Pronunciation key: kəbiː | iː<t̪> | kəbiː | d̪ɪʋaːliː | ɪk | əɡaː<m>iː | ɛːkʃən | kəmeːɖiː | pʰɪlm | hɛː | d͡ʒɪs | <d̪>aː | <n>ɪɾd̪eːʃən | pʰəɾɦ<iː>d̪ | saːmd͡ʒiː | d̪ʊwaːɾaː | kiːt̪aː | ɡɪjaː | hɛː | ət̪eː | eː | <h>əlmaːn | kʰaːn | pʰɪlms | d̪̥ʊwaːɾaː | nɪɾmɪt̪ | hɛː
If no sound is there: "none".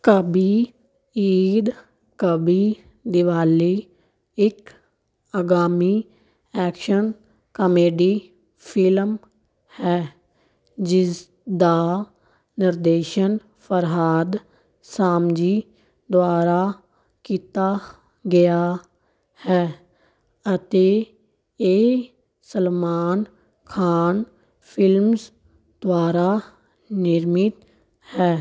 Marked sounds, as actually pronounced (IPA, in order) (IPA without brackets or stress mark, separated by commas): d̪, m, d̪, n, aː, s